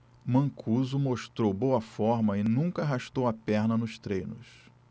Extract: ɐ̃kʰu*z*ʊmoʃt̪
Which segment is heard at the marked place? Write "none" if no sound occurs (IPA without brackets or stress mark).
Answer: z